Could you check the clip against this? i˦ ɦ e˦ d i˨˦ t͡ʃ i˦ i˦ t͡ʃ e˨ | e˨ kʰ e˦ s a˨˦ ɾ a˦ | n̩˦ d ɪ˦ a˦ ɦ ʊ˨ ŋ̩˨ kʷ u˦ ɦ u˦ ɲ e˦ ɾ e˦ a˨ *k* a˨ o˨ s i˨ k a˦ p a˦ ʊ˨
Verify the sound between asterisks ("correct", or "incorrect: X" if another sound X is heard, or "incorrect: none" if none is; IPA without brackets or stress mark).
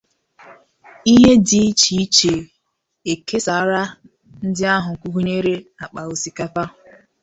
incorrect: k͡p